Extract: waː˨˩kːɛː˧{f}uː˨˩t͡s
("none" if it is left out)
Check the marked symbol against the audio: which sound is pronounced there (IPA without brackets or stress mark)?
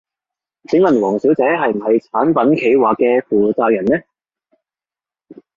f